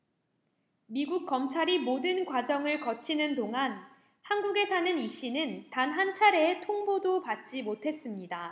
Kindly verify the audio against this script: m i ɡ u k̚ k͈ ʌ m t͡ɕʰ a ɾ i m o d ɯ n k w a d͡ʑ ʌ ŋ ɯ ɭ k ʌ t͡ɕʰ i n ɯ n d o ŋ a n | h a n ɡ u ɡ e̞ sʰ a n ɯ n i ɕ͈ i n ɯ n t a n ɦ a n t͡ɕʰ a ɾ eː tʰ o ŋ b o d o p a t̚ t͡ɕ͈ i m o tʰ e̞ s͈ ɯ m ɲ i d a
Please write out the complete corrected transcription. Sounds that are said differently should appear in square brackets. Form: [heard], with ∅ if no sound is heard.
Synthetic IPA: m i ɡ u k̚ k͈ ʌ m t͡ɕʰ a ɾ i m o d ɯ n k w a d͡ʑ ʌ ŋ ɯ ɭ k ʌ t͡ɕʰ i n ɯ n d o ŋ a n | h a n ɡ u ɡ e̞ sʰ a n ɯ n i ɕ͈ i n ɯ n t a n ɦ a n t͡ɕʰ a ɾ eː tʰ o ŋ b o d o p a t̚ t͡ɕ͈ i m o tʰ e̞ s͈ ɯ m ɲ i d a